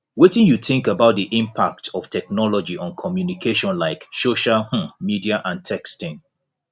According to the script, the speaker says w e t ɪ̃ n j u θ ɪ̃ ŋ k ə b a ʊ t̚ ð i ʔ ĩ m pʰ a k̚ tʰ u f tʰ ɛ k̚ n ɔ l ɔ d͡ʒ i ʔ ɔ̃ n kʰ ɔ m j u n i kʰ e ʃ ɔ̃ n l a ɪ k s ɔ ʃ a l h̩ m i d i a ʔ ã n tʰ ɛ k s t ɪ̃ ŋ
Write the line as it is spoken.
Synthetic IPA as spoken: w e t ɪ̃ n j u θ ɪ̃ ŋ k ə b a ʊ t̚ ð i ʔ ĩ m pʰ a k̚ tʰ ɔ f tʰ ɛ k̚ n ɔ l ɔ d͡ʒ i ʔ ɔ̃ n kʰ ɔ m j u n i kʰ e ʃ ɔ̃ n l a ɪ k s o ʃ a l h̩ m i d i a ʔ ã n tʰ ɛ k s t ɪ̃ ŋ